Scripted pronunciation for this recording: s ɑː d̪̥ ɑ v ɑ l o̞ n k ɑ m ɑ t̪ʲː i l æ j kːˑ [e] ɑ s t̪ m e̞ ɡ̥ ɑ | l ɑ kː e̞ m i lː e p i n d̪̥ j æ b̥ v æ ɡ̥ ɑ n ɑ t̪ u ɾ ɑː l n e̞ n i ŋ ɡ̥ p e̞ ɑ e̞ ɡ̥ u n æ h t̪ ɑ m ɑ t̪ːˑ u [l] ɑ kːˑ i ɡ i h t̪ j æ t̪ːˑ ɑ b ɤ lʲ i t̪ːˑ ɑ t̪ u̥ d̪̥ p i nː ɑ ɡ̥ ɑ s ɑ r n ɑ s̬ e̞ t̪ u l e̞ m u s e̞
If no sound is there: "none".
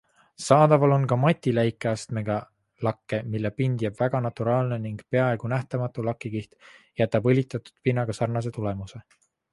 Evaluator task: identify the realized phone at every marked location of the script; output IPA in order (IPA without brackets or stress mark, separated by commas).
e, l